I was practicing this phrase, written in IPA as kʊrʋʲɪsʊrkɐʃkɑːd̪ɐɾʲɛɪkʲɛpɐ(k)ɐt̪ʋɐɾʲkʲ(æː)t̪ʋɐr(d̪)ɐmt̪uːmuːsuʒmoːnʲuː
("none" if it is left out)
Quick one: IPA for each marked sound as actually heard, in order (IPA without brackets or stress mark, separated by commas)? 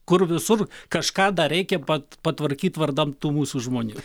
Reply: p, iː, d̪